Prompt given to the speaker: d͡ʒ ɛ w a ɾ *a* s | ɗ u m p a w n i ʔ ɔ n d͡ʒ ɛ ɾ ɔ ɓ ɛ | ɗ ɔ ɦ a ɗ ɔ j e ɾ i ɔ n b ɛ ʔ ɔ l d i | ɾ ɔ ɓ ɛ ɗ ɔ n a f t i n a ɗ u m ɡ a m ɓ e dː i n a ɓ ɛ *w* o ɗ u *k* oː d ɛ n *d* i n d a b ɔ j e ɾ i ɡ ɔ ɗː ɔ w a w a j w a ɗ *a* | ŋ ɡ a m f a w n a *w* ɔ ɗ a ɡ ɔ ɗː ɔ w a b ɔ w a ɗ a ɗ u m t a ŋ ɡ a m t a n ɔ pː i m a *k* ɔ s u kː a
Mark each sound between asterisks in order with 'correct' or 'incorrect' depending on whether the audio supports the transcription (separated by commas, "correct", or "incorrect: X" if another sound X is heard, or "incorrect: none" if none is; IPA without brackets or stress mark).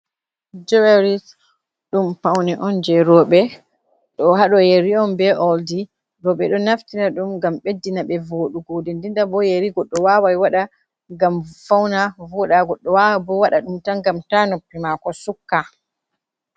incorrect: i, incorrect: v, incorrect: ɡ, correct, correct, incorrect: v, correct